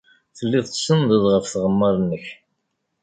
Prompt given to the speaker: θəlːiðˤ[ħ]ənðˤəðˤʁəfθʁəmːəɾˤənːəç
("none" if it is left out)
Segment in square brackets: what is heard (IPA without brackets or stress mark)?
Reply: s